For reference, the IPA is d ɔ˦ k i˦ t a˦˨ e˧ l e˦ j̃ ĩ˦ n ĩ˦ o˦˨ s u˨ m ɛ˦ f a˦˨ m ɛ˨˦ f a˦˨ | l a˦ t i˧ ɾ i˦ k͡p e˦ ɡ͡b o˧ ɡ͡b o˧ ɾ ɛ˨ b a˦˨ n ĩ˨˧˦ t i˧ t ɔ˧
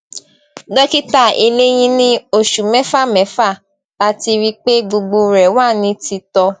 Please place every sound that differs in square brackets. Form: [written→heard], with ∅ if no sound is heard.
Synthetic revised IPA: d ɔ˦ k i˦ t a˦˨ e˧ l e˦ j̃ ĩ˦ n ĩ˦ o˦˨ [s→ʃ] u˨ m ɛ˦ f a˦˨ m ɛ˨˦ f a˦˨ | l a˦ t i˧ ɾ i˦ k͡p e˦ ɡ͡b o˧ ɡ͡b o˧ ɾ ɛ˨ [b→w] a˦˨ n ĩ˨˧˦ t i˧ t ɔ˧